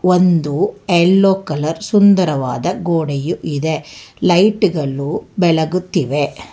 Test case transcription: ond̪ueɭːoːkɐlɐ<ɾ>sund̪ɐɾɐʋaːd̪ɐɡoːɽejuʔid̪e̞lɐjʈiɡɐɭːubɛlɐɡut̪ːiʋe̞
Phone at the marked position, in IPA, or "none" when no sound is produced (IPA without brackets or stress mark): ɾ